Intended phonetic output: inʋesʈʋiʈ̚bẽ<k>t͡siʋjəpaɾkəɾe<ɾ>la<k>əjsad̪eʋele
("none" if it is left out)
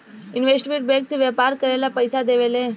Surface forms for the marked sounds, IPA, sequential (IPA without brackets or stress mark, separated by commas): k, none, p